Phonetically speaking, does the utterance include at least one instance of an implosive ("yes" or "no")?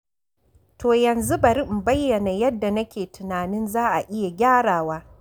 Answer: no